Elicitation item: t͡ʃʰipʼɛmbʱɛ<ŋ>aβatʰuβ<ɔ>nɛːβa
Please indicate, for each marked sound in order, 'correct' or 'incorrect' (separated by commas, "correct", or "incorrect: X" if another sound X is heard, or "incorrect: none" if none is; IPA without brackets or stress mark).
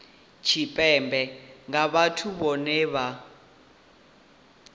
correct, correct